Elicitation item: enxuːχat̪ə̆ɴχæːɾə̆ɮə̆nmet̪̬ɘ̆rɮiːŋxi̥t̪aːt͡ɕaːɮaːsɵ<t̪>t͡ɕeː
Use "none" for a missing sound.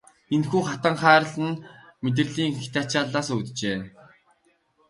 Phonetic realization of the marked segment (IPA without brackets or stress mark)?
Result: t̪